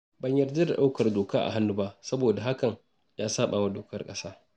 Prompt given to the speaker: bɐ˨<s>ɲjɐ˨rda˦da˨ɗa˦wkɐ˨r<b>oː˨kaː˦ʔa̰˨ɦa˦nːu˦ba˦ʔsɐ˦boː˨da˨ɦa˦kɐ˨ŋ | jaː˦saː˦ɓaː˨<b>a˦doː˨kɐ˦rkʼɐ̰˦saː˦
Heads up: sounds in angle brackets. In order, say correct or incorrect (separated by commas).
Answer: incorrect, incorrect, incorrect